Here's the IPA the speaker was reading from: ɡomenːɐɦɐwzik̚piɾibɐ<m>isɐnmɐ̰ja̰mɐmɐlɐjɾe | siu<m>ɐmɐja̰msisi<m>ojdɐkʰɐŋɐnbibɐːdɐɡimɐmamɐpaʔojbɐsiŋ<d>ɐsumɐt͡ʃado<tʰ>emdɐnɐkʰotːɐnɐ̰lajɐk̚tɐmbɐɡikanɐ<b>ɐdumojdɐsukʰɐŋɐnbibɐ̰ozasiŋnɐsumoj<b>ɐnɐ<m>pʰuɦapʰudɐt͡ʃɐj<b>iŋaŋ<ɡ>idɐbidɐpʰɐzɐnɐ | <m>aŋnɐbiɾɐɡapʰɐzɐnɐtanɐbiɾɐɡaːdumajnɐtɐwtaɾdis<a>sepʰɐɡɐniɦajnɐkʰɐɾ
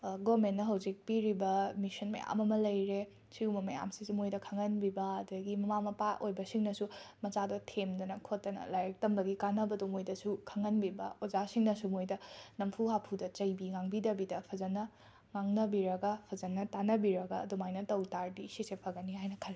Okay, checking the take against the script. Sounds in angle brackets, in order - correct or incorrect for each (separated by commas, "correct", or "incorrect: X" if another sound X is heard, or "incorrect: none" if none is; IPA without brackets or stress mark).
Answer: correct, correct, correct, incorrect: n, correct, correct, incorrect: d, correct, correct, incorrect: b, incorrect: ŋ, incorrect: i